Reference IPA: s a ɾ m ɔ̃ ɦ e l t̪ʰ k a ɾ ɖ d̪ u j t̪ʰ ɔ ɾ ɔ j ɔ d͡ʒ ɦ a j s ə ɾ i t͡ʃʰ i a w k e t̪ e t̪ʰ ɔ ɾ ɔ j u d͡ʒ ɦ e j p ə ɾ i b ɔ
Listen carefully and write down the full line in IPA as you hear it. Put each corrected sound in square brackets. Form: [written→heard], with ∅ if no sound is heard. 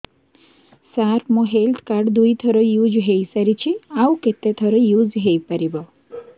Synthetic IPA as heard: s a ɾ m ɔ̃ ɦ e l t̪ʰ k a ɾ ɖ d̪ u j t̪ʰ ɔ ɾ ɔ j [ɔ→u] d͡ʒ ɦ [a→e] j s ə ɾ i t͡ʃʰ i a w k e t̪ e t̪ʰ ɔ ɾ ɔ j u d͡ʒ ɦ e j p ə ɾ i b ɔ